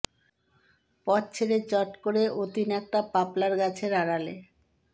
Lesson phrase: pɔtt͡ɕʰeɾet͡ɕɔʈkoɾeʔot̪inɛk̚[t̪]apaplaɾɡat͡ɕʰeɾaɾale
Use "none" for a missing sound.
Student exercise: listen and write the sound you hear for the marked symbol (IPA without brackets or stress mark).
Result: t̪